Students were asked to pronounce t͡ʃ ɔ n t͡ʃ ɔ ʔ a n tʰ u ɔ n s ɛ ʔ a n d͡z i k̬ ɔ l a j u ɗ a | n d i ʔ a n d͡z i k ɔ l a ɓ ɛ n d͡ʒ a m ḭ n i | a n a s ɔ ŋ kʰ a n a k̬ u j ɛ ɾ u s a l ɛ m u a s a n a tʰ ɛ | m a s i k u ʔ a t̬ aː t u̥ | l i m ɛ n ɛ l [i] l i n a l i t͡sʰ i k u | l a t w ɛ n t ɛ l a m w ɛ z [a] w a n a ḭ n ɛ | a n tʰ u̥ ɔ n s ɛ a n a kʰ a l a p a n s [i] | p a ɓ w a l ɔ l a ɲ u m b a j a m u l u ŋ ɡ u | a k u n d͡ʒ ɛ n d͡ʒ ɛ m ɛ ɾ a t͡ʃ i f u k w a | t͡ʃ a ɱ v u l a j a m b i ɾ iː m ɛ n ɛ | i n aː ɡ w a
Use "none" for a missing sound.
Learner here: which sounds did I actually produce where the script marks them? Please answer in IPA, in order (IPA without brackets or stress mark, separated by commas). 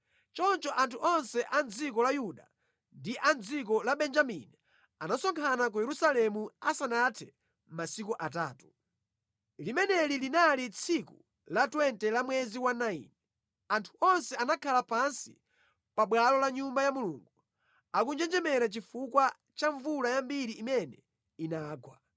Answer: i, i, i